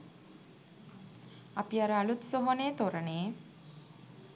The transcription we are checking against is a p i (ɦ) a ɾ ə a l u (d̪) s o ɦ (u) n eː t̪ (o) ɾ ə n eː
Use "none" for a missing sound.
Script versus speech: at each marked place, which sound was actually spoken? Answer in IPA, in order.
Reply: none, t̪, o, o

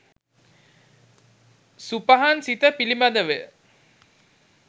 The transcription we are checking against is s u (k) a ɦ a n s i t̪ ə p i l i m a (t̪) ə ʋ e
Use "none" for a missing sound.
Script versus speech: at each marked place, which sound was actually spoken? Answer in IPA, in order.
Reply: p, d̪

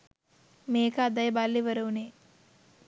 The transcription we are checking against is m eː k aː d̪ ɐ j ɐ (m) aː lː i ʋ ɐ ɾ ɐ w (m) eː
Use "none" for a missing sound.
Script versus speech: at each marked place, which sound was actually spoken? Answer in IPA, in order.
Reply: b, n

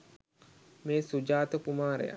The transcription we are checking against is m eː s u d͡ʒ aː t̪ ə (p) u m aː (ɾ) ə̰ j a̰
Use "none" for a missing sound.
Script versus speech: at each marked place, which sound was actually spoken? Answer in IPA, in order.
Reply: k, ɾ

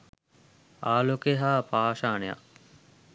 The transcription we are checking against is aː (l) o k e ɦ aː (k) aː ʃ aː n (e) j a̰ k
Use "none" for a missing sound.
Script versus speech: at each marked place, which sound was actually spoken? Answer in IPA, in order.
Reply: l, p, e

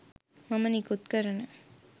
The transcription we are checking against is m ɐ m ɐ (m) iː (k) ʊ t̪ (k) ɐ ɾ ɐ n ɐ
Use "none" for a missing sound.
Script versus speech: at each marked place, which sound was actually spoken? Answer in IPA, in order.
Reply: n, k, k

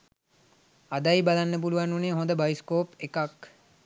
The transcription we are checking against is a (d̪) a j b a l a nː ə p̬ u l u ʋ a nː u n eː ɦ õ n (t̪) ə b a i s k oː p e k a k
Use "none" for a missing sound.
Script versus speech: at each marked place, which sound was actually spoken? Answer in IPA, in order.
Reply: d̪, d̪

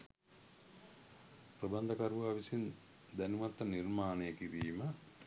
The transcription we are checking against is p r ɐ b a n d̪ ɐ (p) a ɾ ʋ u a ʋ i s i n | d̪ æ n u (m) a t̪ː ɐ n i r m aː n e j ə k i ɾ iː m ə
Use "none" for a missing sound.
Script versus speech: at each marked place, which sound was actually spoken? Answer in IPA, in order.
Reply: k, m

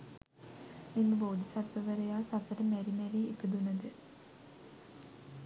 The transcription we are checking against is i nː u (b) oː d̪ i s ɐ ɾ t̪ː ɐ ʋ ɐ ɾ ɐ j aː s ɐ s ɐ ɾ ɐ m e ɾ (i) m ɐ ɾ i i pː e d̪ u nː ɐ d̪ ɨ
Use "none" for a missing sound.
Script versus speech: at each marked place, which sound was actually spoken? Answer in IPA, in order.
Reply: b, i

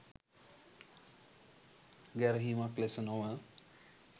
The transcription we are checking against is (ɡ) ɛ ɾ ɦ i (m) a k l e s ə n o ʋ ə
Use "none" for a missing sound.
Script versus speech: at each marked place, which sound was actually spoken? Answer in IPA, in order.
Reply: ɡ, m

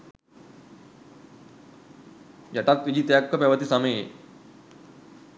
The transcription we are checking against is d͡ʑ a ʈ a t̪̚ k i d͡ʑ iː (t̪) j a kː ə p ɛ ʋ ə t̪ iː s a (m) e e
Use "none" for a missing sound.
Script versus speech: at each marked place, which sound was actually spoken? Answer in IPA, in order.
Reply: t̪, m

